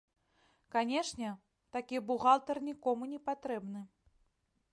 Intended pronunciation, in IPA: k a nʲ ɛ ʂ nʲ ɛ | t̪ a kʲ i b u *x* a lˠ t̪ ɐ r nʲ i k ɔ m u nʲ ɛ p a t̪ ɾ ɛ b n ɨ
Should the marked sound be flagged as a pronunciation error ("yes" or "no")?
yes